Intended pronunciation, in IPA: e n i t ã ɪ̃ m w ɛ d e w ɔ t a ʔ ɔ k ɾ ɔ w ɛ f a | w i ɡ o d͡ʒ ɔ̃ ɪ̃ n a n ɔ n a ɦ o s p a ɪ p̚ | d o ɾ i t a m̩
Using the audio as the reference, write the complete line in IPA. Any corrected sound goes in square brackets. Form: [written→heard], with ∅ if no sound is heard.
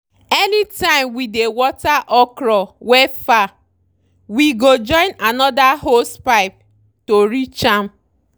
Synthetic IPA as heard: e n i t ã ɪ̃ m w [ɛ→i] d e w ɔ t a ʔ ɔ k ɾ ɔ w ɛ f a | w i ɡ o d͡ʒ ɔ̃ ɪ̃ n a n ɔ [n→d] a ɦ o s p a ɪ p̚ | [d→t] o ɾ i [t→t͡ʃ] a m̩